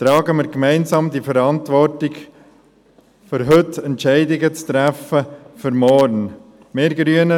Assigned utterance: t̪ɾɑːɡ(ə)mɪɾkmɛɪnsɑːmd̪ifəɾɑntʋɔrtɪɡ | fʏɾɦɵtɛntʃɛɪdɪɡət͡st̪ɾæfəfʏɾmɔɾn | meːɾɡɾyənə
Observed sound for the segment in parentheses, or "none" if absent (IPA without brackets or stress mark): ə